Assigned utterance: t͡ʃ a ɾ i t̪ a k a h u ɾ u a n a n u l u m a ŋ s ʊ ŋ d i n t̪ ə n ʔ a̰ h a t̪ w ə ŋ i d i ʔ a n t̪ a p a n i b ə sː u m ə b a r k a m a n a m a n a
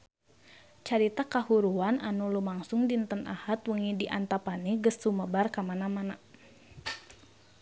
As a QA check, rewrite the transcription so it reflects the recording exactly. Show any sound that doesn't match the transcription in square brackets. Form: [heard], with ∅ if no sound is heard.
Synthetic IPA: t͡ʃ a ɾ i t̪ a k a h u ɾ u a n a n u l u m a ŋ s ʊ ŋ d i n t̪ ə n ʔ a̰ h a t̪ w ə ŋ i d i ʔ a n t̪ a p a n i [ɡ] ə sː u m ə b a r k a m a n a m a n a